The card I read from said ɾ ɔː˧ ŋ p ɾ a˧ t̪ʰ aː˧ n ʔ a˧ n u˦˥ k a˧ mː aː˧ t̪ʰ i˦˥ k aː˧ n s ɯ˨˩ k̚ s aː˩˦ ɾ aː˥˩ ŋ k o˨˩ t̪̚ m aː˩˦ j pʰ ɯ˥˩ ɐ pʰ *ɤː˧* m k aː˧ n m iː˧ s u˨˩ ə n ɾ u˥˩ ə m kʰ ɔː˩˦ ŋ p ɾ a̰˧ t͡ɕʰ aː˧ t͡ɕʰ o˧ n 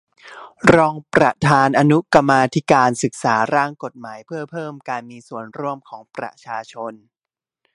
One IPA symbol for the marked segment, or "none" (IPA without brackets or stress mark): ɤː˥˩